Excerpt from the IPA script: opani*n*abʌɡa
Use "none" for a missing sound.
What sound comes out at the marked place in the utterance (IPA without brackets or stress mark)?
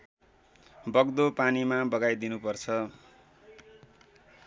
m